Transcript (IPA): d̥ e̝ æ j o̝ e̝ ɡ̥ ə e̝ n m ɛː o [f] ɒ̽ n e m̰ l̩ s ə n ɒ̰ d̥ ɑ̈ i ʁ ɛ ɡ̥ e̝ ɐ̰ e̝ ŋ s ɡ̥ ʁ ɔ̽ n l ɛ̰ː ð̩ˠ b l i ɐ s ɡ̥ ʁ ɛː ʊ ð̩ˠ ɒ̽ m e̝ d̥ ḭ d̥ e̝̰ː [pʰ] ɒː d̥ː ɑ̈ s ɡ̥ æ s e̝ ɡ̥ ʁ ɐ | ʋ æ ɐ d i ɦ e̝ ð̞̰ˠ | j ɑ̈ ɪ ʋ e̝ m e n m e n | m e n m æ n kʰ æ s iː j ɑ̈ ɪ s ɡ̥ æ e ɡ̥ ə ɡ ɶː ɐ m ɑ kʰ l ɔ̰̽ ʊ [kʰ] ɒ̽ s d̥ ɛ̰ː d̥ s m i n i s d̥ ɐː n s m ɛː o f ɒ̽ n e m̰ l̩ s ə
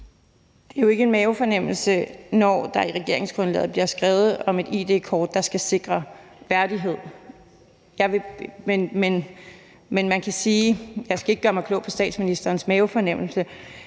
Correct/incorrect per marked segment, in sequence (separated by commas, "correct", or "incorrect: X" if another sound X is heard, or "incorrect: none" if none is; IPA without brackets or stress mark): correct, incorrect: kʰ, incorrect: pʰ